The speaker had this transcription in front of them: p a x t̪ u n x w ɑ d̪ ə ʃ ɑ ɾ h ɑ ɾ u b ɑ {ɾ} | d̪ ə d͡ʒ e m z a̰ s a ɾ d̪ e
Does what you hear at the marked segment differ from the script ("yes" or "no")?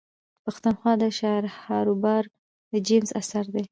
no